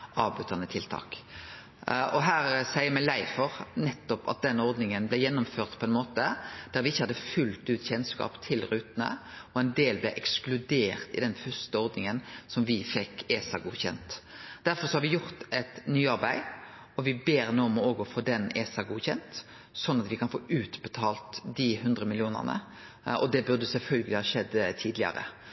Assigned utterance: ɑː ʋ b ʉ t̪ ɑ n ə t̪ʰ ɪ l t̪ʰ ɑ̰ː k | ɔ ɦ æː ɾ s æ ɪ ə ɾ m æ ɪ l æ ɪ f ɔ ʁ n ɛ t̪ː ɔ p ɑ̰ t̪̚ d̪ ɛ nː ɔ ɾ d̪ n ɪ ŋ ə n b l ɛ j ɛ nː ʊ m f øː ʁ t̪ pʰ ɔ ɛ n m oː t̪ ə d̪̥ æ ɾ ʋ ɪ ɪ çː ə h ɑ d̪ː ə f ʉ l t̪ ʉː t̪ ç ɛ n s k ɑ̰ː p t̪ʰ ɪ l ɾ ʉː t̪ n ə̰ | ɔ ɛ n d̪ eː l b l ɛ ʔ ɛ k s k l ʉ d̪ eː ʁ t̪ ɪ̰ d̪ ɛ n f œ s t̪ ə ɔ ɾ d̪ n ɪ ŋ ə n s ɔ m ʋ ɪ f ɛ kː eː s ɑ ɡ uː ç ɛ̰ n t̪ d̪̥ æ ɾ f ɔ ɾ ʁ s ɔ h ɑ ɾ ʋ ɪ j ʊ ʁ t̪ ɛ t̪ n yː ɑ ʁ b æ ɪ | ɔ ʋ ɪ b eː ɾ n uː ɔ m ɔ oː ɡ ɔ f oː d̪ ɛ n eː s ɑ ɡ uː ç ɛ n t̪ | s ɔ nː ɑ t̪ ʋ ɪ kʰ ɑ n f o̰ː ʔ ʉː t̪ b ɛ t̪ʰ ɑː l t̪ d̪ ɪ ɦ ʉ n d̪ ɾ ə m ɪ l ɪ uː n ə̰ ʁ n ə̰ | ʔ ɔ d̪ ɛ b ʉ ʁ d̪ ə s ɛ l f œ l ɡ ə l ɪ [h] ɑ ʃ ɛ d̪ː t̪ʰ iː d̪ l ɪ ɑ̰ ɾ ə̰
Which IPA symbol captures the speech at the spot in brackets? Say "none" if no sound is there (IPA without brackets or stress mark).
h